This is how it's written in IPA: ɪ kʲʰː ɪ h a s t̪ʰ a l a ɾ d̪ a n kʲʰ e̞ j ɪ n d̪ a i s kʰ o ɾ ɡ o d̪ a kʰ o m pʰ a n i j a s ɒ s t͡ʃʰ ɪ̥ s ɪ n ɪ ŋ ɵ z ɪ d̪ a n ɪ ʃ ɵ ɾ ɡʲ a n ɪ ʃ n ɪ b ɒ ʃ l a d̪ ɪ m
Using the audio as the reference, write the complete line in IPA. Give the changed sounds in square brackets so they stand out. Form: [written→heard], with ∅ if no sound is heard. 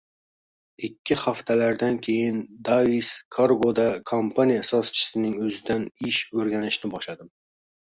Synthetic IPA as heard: ɪ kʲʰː ɪ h a [s→f] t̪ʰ a l a ɾ d̪ a n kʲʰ e̞ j ɪ n d̪ a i s kʰ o ɾ ɡ o d̪ a kʰ o m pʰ a n i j a s ɒ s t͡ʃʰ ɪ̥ s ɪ n ɪ ŋ ɵ z ɪ d̪ a n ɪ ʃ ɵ ɾ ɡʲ a n ɪ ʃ n ɪ b ɒ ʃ l a d̪ ɪ m